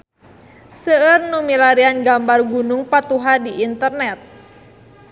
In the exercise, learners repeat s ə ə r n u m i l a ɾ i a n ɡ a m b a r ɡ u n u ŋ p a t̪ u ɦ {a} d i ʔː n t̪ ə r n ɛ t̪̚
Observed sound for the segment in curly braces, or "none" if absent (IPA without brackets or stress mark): a